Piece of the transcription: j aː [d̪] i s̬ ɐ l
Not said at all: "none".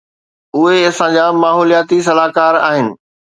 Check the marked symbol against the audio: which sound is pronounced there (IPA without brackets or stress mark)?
t̪